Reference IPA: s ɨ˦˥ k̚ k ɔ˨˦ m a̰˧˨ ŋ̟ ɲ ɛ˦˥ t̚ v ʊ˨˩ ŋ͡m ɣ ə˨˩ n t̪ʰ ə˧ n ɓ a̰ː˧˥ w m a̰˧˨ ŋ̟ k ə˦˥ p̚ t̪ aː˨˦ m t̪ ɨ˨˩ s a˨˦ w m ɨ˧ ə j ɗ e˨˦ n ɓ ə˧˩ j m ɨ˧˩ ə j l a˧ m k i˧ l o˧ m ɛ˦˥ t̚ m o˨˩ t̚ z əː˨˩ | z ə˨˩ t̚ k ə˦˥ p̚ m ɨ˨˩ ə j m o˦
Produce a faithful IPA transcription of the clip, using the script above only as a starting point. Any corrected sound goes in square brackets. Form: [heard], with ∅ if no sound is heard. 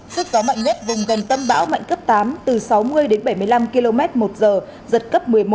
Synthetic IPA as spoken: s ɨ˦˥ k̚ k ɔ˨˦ m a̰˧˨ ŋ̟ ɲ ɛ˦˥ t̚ v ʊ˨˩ ŋ͡m ɣ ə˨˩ n [t̪] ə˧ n ɓ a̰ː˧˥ w m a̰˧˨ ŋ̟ k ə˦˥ p̚ t̪ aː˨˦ m t̪ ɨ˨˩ s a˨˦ w m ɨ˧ ə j ɗ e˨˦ n ɓ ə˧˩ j m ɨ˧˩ ə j l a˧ m k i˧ l o˧ m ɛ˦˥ t̚ m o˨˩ t̚ z əː˨˩ | z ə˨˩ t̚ k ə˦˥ p̚ m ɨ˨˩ ə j m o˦